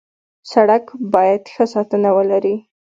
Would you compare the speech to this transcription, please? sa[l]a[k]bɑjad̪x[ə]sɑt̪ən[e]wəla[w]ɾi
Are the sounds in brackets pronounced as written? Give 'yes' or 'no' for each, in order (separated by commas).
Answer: no, yes, yes, no, no